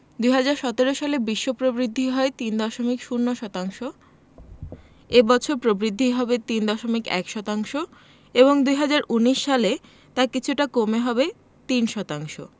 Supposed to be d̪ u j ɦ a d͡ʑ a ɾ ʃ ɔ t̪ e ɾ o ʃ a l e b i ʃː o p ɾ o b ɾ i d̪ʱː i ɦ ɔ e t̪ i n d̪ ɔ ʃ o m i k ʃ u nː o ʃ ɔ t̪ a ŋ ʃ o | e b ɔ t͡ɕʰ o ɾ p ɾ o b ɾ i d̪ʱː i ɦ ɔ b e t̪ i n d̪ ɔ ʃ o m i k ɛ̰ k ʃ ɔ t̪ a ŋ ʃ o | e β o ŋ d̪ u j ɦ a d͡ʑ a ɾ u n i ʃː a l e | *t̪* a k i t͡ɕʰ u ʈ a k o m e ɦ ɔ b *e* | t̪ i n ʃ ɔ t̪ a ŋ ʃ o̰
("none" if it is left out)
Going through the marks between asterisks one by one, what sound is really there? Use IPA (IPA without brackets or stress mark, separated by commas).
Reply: t̪, e